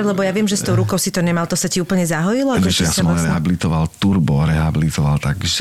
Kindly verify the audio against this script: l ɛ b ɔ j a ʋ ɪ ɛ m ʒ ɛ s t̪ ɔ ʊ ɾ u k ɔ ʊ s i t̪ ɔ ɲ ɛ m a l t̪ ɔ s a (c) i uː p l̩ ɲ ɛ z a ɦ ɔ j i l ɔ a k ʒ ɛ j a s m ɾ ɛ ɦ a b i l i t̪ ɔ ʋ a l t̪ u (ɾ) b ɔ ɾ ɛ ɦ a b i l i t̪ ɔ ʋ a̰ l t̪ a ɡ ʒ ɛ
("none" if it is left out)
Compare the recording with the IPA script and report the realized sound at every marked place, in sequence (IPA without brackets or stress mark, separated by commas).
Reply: c, ɾ